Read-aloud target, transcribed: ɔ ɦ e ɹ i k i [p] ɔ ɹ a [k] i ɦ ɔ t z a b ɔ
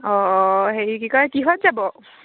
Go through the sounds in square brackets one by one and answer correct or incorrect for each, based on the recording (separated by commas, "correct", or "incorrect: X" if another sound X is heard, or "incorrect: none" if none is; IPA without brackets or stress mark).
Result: incorrect: k, correct